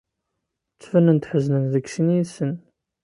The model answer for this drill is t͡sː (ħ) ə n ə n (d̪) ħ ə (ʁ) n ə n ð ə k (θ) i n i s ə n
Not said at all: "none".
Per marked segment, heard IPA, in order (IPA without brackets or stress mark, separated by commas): f, t̪, z, s